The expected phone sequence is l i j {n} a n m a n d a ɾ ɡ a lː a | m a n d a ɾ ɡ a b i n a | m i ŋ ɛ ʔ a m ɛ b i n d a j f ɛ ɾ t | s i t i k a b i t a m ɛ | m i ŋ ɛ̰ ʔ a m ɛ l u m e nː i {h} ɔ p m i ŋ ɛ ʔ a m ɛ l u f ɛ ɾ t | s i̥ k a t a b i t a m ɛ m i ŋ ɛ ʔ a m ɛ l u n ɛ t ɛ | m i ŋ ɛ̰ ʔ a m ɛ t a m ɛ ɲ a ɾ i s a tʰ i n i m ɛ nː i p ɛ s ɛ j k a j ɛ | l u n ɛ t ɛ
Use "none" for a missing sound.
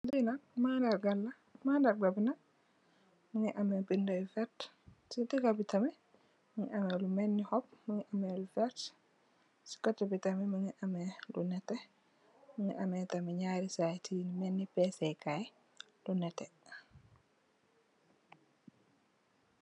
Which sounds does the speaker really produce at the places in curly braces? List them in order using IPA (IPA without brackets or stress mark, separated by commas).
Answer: n, h